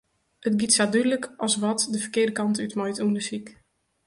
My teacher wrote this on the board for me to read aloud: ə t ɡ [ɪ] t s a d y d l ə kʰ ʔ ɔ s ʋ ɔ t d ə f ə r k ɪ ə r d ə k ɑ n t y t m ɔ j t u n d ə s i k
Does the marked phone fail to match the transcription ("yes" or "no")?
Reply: yes